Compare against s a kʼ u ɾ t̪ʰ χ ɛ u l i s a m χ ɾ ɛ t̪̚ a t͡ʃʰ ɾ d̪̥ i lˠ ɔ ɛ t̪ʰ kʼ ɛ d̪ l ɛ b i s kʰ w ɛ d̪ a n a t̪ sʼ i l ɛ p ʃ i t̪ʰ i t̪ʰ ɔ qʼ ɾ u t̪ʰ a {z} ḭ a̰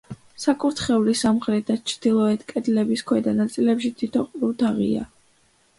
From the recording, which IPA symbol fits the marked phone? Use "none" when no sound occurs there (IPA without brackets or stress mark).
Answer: ʁ